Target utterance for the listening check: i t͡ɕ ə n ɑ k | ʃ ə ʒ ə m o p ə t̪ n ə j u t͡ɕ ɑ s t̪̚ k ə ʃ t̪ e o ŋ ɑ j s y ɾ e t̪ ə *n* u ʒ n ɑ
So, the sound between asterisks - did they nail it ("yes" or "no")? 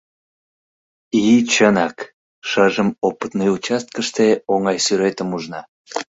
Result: no